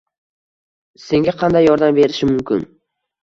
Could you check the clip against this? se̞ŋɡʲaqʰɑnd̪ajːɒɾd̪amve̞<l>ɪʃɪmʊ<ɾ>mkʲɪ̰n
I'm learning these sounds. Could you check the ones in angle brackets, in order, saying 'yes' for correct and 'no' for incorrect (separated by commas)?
no, no